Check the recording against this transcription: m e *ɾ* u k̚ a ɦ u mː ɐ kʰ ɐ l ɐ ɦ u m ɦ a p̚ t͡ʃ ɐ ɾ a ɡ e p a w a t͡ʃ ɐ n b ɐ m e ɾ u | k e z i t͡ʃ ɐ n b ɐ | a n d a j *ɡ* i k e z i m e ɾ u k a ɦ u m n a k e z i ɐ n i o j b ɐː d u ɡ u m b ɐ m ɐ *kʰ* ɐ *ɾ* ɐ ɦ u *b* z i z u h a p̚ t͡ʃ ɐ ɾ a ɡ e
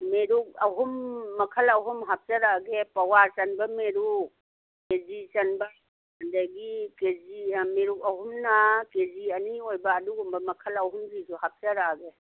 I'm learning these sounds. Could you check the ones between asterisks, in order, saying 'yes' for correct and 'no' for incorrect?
yes, yes, yes, no, no

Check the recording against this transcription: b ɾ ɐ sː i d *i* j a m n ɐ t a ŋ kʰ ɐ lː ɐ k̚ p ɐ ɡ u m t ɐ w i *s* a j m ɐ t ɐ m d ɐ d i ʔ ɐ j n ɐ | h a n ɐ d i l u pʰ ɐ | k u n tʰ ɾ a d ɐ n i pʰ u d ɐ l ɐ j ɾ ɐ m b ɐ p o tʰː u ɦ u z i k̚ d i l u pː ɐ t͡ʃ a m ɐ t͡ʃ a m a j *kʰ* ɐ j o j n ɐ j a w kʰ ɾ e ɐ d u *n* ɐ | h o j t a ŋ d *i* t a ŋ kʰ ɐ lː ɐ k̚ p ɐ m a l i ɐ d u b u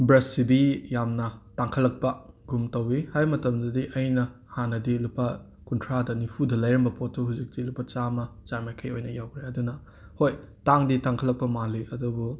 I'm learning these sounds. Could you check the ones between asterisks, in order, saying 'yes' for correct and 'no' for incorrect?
yes, no, yes, yes, yes

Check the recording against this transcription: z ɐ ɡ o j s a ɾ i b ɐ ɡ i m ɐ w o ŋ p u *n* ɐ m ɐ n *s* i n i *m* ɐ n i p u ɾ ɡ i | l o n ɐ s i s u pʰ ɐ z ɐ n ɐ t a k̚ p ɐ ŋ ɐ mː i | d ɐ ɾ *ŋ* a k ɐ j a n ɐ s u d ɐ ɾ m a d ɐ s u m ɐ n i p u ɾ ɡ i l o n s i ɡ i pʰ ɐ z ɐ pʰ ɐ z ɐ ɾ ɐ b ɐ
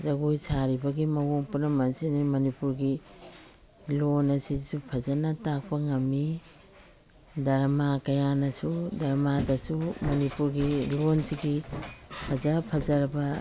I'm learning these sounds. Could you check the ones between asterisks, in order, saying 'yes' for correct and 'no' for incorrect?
yes, yes, yes, no

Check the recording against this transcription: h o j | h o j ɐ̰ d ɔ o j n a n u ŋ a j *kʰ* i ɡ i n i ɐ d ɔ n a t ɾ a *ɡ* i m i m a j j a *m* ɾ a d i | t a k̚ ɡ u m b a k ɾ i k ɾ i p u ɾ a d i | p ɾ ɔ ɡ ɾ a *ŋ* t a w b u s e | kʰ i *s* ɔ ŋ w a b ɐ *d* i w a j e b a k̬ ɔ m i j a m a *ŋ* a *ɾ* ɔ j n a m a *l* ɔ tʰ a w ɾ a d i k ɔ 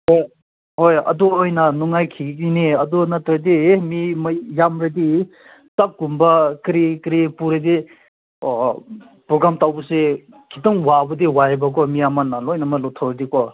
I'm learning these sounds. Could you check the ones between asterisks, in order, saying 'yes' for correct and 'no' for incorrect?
yes, no, yes, no, no, yes, no, no, yes

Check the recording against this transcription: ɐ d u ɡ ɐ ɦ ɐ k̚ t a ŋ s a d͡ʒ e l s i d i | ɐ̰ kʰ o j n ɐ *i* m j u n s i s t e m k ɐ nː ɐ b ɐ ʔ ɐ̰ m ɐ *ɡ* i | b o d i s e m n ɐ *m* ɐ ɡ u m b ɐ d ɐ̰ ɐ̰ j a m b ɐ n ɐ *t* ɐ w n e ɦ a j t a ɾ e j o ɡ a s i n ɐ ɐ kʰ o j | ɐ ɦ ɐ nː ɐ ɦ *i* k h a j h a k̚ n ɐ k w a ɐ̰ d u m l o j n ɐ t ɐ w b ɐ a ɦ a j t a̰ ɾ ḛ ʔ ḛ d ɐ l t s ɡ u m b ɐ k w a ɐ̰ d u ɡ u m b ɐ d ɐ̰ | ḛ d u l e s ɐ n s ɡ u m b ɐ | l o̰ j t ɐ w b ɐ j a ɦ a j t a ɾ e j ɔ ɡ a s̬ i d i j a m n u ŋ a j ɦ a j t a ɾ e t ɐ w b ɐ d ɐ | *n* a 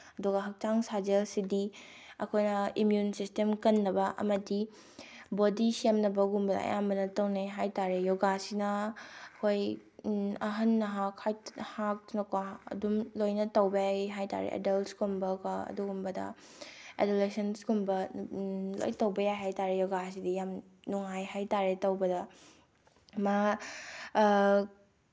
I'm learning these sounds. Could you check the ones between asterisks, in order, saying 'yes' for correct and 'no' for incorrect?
yes, no, no, yes, no, no

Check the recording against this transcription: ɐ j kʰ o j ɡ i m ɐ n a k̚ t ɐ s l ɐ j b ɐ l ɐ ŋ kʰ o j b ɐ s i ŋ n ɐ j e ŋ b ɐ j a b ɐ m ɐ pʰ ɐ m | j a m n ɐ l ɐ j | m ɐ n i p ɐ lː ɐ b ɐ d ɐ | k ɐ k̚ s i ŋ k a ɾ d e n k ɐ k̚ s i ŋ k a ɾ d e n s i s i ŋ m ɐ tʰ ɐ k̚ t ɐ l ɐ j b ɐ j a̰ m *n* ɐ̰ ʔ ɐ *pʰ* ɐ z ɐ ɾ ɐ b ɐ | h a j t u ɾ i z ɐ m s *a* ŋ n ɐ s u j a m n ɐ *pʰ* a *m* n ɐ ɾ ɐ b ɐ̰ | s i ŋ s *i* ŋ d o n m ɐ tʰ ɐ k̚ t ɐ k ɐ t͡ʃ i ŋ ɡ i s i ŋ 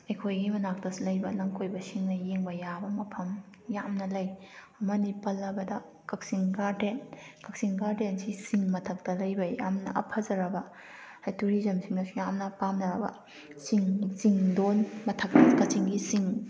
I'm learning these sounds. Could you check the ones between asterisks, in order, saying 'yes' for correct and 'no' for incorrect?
yes, yes, no, no, yes, yes

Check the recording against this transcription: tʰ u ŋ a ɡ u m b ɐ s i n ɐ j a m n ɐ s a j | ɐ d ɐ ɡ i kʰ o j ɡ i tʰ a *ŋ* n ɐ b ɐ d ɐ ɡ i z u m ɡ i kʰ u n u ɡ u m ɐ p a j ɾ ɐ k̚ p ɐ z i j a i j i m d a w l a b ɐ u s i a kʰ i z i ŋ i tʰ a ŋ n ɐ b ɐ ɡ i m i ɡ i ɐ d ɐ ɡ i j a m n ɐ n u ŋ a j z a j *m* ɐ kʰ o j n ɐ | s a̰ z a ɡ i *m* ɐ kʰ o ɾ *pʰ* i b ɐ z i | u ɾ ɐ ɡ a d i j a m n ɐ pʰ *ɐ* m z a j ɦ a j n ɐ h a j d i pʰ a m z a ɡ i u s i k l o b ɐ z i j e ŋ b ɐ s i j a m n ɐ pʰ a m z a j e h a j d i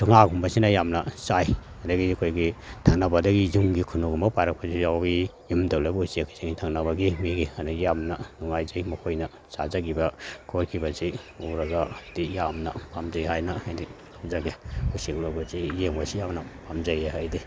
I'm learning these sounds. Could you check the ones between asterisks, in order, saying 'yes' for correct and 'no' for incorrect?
yes, yes, no, no, no

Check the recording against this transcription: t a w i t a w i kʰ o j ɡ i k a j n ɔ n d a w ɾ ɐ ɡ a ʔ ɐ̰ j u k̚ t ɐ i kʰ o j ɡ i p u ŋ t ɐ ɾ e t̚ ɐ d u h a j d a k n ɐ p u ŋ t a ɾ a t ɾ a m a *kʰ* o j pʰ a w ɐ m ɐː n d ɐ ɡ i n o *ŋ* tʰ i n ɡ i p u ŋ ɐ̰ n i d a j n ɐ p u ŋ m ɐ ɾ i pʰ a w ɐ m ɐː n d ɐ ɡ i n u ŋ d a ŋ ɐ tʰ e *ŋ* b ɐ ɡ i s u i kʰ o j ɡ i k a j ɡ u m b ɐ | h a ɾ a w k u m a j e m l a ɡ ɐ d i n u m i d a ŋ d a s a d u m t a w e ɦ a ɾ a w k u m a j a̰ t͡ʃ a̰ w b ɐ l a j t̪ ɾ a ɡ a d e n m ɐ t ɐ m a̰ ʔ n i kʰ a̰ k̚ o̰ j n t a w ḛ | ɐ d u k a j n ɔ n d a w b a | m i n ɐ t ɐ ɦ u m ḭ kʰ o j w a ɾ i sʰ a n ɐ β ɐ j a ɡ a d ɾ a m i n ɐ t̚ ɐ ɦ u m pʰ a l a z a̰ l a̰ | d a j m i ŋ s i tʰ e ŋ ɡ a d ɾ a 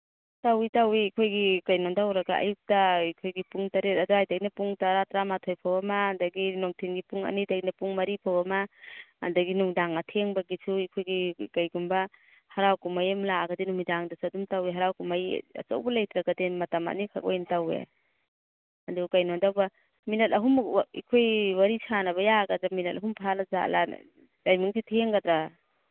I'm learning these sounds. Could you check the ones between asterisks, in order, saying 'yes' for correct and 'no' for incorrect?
no, yes, yes

